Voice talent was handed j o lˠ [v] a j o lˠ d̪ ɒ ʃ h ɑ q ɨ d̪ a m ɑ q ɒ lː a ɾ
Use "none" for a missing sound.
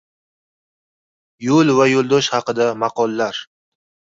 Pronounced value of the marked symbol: v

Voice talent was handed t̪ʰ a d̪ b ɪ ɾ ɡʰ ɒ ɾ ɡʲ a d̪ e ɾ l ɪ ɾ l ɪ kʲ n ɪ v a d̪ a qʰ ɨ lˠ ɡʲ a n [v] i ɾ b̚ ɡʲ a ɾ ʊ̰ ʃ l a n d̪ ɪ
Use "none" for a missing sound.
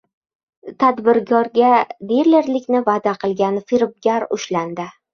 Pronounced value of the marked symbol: f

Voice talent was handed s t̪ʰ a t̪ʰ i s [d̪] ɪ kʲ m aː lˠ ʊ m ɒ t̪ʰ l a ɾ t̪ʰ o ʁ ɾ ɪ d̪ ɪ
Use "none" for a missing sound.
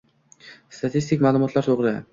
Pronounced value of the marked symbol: t̪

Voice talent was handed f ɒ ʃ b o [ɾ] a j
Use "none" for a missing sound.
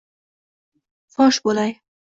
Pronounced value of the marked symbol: l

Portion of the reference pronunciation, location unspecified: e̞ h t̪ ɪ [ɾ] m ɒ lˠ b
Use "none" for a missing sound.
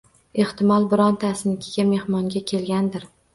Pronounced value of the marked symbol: none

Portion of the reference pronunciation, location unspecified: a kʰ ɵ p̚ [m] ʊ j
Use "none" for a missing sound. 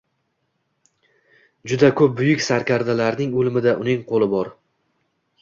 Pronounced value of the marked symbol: b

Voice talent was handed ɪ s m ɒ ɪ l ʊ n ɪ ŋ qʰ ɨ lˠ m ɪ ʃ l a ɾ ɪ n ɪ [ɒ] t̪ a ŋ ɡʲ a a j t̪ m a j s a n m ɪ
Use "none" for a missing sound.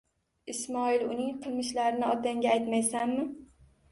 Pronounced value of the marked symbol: ɒ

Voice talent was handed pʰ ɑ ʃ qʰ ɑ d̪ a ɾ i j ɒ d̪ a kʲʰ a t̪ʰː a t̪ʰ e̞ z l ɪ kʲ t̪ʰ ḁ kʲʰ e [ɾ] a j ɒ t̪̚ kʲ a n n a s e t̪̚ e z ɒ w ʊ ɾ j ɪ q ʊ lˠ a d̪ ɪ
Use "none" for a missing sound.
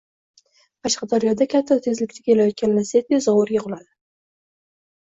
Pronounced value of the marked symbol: l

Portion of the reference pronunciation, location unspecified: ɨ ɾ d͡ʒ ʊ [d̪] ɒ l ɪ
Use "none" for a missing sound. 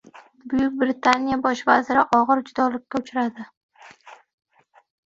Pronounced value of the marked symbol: d̪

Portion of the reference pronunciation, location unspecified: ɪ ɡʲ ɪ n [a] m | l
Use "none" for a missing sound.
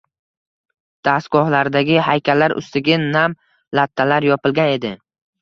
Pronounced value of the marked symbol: a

